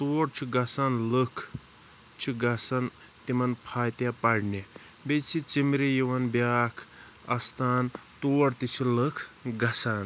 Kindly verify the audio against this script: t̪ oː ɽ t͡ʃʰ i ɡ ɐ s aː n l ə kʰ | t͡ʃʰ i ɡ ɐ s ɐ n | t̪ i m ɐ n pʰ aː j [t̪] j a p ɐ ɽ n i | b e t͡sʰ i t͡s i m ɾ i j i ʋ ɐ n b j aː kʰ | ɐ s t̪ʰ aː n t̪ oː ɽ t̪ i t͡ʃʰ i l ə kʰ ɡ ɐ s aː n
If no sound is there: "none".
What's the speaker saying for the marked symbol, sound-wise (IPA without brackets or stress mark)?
t̪